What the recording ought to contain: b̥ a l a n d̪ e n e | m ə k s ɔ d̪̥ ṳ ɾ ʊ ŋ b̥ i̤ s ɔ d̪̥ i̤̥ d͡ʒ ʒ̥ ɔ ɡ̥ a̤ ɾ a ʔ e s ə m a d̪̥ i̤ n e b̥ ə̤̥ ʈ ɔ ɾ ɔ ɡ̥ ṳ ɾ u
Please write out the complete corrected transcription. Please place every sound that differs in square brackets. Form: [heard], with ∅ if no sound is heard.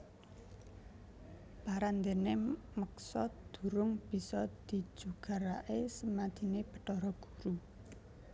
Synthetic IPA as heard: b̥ a [ɾ] a n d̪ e n e | m ə k s ɔ d̪̥ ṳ ɾ ʊ ŋ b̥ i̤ s ɔ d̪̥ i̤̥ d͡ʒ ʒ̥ [u] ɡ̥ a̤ ɾ a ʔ e s ə m a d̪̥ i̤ n e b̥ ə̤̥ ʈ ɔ ɾ ɔ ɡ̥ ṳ ɾ u